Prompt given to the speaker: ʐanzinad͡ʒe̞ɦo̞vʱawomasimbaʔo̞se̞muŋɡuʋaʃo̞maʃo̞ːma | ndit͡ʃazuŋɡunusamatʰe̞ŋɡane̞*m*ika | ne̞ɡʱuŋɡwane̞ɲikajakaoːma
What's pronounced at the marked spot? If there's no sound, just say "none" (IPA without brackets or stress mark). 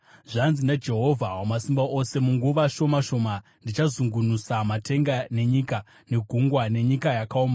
ɲ